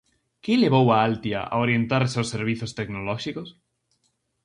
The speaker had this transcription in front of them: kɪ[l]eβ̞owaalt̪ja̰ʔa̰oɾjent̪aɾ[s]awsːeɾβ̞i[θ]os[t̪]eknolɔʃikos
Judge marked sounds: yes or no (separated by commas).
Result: yes, yes, yes, yes